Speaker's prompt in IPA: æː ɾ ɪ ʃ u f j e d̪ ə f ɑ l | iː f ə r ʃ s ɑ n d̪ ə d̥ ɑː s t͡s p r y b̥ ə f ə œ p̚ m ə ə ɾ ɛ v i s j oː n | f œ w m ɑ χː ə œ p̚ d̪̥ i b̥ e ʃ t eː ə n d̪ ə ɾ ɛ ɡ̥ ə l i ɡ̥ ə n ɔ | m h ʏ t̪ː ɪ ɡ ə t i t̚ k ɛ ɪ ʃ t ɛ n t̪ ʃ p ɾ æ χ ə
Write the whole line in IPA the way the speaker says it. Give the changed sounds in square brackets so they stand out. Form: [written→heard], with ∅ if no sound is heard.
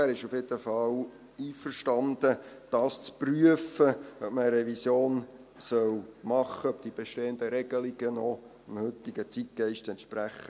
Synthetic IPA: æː ɾ ɪ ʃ u f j e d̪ ə f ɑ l | iː f ə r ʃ [s→t] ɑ n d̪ ə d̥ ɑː s t͡s p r y [b̥→∅] ə f ə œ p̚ m ə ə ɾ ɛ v i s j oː n | [f→s] œ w m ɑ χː ə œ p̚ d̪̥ i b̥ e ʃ t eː ə n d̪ ə ɾ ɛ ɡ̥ ə l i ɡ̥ ə n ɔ | m h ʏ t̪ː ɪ ɡ ə [t→t͡s] i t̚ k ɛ ɪ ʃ t ɛ n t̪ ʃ p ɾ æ χ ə

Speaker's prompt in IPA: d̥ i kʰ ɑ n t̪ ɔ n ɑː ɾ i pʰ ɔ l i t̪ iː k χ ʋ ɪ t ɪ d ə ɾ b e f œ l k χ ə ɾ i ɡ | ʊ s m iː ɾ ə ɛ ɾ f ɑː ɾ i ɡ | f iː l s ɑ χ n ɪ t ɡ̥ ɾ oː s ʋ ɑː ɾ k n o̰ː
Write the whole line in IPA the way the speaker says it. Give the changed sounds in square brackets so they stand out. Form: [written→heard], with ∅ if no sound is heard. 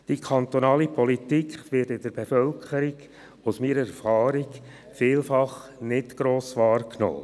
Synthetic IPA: d̥ i kʰ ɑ n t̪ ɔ n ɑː [ɾ→l] i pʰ ɔ l i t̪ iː k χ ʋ ɪ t ɪ d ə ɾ b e f œ l k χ ə ɾ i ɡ | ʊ s m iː ɾ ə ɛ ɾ f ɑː ɾ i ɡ | f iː l [s→f] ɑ χ n ɪ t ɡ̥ ɾ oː s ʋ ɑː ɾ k n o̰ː

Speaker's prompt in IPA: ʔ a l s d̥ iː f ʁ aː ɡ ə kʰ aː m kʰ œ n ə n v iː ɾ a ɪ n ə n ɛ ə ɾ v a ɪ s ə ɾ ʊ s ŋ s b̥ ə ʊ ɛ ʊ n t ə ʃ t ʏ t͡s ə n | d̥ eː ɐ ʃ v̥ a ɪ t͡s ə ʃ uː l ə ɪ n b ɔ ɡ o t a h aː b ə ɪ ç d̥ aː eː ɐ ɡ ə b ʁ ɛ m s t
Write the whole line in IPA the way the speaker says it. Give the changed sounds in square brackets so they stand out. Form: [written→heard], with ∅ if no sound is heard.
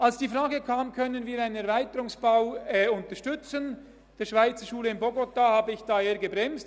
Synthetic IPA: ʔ a l s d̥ iː f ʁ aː ɡ ə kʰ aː m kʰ œ n ə n v iː ɾ a ɪ n ə n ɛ [ə→ɐ] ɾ v a ɪ [s→t] ə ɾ ʊ [s→∅] ŋ s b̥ [ə→a] ʊ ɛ ʊ n t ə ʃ t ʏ t͡s ə n | d̥ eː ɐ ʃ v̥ a ɪ t͡s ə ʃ uː l ə ɪ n b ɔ ɡ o t a h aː b ə ɪ ç d̥ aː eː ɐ ɡ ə b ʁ ɛ m s t

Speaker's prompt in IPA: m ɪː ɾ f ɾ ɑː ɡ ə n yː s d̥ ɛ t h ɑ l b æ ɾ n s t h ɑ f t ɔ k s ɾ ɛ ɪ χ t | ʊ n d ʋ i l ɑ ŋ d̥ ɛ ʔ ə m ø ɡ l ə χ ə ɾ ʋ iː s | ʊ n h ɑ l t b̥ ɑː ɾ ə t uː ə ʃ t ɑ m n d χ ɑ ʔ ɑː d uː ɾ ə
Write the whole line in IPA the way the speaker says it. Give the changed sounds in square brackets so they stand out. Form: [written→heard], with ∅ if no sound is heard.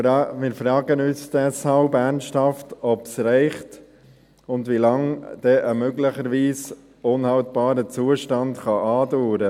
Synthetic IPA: m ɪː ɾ f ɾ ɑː ɡ ə n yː s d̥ ɛ [t→s] h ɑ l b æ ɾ n s t h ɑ f t ɔ [k→p] s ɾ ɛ ɪ χ t | ʊ n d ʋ i l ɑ ŋ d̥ ɛ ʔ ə m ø ɡ l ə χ ə ɾ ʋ iː s | ʊ n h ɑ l t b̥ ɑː ɾ ə [t→t͡s] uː ə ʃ t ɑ [m→∅] n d χ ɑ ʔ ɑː d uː ɾ ə

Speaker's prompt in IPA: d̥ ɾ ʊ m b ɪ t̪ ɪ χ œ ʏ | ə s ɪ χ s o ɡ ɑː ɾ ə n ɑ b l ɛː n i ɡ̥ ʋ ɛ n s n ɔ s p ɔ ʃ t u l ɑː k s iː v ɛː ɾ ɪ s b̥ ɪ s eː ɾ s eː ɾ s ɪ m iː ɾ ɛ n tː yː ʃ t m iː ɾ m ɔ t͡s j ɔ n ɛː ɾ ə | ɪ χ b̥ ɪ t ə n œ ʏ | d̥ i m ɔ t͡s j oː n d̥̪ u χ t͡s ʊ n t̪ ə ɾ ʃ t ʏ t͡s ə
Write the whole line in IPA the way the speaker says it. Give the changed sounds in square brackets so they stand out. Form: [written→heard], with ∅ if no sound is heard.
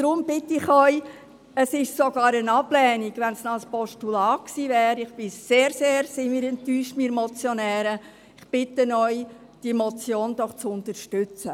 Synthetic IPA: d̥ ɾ ʊ m b ɪ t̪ ɪ χ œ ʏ | ə s ɪ [χ→ʃ] s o ɡ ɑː ɾ ə n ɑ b l ɛː n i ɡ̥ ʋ ɛ n s n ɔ s p ɔ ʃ t u l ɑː k s iː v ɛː ɾ ɪ [s→χ] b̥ ɪ s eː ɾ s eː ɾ s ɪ m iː ɾ ɛ n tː yː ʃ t m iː ɾ m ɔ t͡s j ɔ n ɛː ɾ ə | ɪ χ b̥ ɪ t ə n œ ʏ | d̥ i m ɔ t͡s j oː n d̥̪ [u→ɔ] χ t͡s ʊ n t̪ ə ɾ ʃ t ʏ t͡s ə

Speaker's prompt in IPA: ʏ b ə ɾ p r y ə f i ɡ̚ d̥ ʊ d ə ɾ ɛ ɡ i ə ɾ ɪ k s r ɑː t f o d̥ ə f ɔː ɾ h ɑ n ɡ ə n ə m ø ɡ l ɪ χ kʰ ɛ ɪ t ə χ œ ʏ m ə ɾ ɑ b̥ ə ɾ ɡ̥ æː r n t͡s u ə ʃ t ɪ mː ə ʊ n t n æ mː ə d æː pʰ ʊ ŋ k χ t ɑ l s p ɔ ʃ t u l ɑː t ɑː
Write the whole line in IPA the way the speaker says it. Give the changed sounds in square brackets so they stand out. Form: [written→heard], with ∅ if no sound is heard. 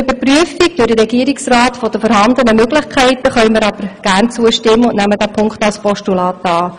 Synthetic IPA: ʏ b ə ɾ p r y ə f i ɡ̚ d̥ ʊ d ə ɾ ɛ ɡ i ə ɾ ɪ k s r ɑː t f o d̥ ə f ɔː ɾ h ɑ n [ɡ→d] ə n ə m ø ɡ l ɪ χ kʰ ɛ ɪ t ə χ œ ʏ m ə ɾ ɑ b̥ ə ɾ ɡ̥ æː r n t͡s u ə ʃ t ɪ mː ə ʊ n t n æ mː ə d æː pʰ ʊ ŋ k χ t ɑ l s p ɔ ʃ t u l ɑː t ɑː

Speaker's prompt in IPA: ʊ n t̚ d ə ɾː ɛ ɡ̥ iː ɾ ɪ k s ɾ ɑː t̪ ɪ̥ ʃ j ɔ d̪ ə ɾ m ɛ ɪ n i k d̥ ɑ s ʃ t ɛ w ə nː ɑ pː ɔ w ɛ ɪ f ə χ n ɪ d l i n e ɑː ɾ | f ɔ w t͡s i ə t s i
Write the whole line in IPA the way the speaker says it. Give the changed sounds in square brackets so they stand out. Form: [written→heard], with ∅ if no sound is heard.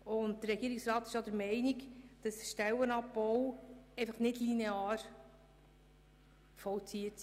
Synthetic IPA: ʊ n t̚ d ə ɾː ɛ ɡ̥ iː ɾ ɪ k s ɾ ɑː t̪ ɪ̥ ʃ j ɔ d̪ ə ɾ m ɛ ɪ n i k d̥ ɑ s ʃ t ɛ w ə [nː→n] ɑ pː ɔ w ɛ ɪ f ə χ n ɪ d l i n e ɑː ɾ | f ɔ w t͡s i ə t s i

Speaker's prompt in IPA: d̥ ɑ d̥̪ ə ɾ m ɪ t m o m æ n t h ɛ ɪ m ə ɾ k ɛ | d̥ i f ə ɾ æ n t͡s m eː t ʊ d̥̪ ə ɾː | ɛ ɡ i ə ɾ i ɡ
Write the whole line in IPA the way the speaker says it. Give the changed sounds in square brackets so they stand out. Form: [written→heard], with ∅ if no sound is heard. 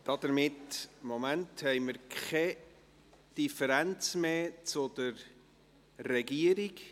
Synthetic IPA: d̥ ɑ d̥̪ ə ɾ m ɪ t m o m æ n t h ɛ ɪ m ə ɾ k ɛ | d̥ i f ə ɾ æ n t͡s m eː [t→t͡s] ʊ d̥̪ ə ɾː | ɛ ɡ i ə ɾ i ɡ

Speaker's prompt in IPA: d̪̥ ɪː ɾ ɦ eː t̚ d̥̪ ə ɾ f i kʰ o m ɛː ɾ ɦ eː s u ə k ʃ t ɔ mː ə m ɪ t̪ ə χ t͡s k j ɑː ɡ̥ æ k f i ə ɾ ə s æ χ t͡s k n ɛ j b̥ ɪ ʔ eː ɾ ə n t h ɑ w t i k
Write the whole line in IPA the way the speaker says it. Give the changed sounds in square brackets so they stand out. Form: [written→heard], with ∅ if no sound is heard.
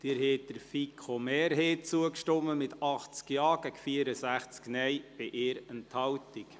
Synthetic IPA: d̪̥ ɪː ɾ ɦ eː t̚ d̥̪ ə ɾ f i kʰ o m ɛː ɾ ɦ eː [s→t͡s] u ə k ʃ t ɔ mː ə m ɪ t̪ [ə→ɑ] χ t͡s k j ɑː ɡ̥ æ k f i ə ɾ ə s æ χ t͡s k n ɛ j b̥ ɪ ʔ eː ɾ ə n t h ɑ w t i k

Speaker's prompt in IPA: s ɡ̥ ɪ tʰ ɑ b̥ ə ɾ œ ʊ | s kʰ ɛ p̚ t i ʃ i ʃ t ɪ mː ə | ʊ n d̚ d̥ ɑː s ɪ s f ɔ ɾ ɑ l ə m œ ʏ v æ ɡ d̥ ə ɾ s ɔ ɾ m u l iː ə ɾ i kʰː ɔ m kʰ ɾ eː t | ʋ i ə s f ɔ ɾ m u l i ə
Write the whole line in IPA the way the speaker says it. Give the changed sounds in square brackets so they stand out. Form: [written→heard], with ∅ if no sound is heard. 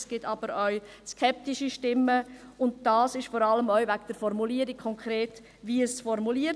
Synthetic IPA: s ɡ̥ ɪ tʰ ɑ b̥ ə ɾ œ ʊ | s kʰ ɛ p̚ t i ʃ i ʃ t ɪ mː ə | ʊ n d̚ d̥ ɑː s ɪ [s→ʃ] f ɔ ɾ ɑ l ə m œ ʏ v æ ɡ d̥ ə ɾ [s→f] ɔ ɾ m u l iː ə ɾ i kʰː ɔ [m→ŋ] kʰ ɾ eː t | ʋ i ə s f ɔ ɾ m u l i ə

